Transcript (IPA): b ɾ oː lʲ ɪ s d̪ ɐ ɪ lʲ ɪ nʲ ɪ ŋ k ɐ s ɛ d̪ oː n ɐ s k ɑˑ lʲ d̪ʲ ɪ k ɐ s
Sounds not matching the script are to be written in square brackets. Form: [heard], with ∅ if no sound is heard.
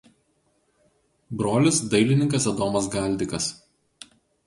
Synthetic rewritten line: b ɾ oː lʲ ɪ s d̪ ɐ ɪ lʲ ɪ nʲ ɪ ŋ k ɐ s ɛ d̪ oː [m] ɐ s [ɡ] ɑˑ lʲ d̪ʲ ɪ k ɐ s